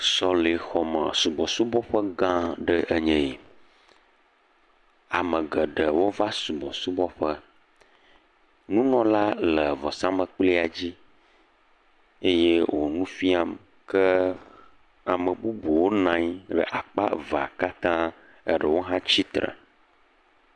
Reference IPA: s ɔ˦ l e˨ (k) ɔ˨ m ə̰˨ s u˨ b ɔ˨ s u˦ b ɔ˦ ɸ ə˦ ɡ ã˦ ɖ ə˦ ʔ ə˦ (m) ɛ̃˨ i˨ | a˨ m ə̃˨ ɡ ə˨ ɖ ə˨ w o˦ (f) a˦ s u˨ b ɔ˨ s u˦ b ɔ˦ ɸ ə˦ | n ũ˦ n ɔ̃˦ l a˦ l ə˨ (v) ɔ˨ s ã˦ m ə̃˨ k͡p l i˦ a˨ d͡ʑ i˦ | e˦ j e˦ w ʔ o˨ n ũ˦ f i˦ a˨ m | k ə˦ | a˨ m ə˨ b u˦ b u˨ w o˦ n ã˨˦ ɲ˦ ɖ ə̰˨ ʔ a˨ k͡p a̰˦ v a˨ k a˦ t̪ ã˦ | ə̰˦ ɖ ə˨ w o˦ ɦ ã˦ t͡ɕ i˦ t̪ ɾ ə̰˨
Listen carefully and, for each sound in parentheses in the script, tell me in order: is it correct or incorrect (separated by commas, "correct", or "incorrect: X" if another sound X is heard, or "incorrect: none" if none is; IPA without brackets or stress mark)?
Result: incorrect: x, incorrect: ɲ, incorrect: v, correct